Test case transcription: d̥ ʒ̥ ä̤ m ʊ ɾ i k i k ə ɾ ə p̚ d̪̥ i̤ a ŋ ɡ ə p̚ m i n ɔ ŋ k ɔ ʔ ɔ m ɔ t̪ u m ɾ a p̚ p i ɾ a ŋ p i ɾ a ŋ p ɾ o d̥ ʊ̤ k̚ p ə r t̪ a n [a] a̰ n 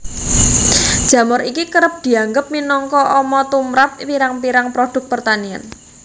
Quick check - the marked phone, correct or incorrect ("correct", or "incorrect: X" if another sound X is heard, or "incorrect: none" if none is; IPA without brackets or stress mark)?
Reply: incorrect: i